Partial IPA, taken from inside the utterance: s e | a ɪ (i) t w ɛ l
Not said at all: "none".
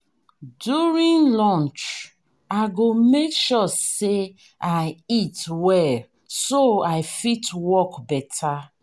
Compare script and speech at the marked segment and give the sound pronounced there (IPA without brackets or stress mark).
i